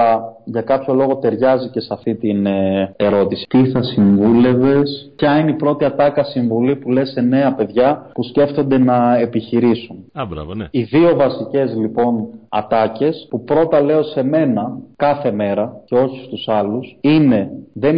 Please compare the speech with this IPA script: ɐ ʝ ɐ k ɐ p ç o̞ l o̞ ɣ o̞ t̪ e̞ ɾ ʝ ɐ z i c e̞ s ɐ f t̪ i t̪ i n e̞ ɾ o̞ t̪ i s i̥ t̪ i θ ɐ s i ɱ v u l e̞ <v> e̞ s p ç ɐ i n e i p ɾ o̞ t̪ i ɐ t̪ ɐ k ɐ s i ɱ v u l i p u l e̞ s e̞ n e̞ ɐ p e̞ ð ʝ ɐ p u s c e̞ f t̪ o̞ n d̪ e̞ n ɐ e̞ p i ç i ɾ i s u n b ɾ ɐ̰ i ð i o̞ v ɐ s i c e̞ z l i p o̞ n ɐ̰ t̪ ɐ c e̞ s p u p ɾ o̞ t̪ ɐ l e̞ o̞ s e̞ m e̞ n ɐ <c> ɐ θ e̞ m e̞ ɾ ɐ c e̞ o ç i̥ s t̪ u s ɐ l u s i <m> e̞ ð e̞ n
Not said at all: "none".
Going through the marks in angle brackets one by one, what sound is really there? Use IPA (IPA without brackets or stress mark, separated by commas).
v, k, n